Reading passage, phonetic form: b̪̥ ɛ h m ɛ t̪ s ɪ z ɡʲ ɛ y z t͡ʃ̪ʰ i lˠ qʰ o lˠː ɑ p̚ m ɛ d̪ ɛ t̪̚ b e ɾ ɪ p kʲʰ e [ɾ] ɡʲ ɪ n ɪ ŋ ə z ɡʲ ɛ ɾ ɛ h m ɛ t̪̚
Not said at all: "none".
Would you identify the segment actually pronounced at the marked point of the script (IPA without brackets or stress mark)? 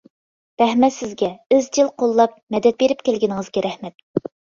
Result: l